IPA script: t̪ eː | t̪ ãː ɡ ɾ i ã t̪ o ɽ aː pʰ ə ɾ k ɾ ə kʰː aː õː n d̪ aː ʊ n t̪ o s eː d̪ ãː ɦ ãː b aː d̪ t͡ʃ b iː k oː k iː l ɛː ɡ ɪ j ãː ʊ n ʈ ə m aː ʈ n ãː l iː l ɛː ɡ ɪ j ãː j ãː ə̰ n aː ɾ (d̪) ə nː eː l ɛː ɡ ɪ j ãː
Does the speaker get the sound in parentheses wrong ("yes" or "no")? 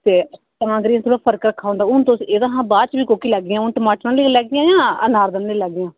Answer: no